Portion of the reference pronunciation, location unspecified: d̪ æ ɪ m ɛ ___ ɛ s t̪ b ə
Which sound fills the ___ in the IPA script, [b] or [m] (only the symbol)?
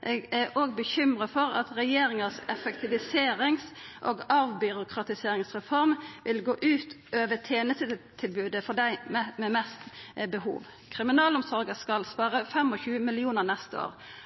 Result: m